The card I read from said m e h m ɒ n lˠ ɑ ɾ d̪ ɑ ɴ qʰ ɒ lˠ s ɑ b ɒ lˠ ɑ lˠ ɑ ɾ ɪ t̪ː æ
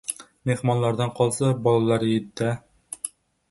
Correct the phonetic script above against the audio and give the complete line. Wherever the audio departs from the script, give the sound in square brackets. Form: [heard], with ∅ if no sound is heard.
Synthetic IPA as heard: m e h m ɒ n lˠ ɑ ɾ d̪ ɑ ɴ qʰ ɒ lˠ s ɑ b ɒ lˠ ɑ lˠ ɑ ɾ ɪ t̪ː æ